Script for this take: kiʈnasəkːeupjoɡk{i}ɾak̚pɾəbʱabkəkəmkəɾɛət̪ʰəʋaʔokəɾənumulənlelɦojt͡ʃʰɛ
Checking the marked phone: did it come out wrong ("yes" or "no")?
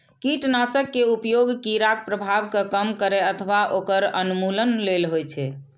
no